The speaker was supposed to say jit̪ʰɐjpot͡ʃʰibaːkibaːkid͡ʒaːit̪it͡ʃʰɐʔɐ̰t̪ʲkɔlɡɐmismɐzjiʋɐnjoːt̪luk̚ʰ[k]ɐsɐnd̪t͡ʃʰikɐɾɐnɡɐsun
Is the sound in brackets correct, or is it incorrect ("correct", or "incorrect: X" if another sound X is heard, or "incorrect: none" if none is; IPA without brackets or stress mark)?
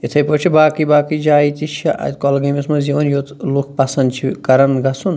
incorrect: p